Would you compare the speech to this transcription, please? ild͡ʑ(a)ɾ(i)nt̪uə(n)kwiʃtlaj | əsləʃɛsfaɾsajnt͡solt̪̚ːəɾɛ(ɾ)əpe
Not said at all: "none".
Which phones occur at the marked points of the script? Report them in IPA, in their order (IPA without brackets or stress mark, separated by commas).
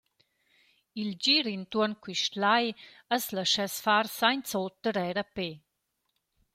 i, i, n, ɾ